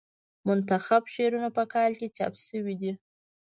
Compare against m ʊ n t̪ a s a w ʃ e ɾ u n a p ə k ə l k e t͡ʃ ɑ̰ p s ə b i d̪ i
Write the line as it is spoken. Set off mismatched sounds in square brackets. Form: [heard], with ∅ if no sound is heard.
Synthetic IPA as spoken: m ʊ n t̪ a [x] a [b] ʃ e ɾ u n a p ə k [ɑ] l k e t͡ʃ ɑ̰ p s ə [w] i d̪ i